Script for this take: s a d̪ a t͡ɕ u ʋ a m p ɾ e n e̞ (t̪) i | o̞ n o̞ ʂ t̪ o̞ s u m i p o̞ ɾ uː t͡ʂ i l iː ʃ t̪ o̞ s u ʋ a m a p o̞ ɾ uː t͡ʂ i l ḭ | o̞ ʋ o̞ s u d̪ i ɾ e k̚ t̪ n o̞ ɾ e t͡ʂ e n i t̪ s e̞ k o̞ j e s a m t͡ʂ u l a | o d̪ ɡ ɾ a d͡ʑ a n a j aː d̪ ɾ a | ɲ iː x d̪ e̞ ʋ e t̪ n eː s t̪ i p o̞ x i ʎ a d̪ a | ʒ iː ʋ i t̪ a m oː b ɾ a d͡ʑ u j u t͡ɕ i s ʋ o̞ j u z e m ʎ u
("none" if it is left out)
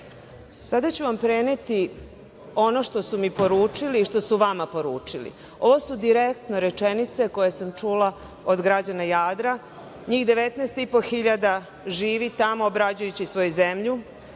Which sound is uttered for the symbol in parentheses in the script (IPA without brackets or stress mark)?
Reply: t̪